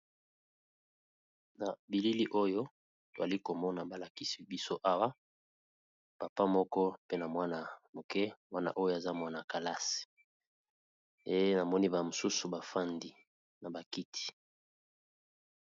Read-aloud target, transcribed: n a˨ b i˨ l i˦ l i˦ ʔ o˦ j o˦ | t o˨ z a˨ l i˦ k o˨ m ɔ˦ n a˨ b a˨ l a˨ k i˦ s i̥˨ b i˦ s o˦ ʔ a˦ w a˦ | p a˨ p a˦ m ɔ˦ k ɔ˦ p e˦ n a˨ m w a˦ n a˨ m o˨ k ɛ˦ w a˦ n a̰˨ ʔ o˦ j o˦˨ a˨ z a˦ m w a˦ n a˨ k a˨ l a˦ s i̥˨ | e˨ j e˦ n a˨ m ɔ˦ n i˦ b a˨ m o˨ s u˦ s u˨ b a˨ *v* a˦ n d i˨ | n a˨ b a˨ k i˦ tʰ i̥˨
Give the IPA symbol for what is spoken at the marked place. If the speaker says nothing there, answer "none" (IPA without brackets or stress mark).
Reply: f